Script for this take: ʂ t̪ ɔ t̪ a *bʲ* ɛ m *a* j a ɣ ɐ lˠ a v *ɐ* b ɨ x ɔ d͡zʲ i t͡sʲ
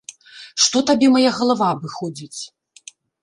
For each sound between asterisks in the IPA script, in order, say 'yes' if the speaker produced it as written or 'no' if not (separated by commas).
yes, yes, no